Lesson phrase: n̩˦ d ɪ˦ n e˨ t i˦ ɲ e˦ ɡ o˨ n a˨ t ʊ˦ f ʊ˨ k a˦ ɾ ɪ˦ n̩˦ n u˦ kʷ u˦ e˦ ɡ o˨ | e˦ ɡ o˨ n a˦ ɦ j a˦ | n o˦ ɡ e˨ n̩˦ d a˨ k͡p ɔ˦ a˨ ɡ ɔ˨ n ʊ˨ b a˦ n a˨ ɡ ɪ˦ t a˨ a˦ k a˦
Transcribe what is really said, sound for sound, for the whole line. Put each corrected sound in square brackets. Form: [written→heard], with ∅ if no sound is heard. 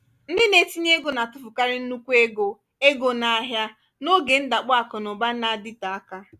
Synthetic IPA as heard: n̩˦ d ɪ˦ n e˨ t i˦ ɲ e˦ ɡ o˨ n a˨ t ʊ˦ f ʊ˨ k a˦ ɾ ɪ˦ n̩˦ n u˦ kʷ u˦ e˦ ɡ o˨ | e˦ ɡ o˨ n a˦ ɦ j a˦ | n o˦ ɡ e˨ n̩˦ d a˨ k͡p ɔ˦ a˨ [ɡ→k] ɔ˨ n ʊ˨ b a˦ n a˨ [ɡ→d] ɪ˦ t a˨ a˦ k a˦